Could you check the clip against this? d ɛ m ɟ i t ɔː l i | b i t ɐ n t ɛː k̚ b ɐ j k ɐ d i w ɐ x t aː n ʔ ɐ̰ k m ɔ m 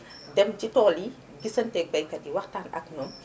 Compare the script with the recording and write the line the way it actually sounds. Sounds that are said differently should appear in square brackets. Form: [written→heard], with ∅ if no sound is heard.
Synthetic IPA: d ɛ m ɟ i t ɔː l i | [b→ɡ] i [t→s] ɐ n t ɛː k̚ b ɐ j k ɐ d i w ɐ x t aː n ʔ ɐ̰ k [m→n] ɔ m